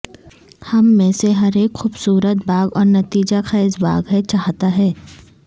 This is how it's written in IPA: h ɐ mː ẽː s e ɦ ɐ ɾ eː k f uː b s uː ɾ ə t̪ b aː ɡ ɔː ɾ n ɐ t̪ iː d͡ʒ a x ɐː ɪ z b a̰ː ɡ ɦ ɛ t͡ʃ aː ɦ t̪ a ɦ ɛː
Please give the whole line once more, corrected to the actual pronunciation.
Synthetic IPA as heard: h ɐ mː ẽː s e ɦ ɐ ɾ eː k x uː b s uː ɾ ə t̪ b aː ɡ ɔː ɾ n ɐ t̪ iː d͡ʒ a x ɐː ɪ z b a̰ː ɡ ɦ ɛ t͡ʃ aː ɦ t̪ a ɦ ɛː